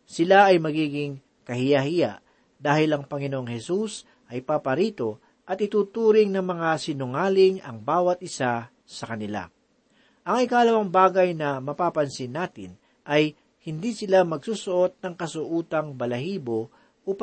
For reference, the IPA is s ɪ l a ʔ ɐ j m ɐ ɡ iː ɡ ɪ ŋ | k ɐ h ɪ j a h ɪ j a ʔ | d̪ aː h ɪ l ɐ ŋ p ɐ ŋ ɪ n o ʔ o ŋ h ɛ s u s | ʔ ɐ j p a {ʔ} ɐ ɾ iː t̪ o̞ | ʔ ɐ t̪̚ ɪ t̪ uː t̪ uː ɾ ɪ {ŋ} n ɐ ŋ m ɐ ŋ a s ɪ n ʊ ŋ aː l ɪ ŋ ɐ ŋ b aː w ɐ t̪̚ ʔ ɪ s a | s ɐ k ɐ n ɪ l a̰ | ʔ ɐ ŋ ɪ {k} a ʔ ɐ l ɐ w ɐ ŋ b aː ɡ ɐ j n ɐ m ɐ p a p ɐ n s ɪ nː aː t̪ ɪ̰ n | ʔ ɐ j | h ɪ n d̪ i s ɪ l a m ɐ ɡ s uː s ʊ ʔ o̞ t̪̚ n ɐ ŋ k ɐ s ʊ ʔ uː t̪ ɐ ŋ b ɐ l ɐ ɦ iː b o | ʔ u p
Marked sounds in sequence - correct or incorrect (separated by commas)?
incorrect, correct, correct